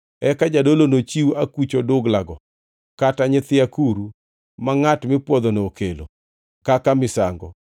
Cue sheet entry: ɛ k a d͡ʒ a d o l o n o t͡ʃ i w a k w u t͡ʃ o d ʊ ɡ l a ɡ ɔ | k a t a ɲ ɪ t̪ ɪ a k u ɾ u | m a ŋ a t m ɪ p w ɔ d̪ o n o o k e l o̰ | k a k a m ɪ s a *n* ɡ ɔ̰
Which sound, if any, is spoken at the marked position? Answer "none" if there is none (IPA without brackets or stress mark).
ŋ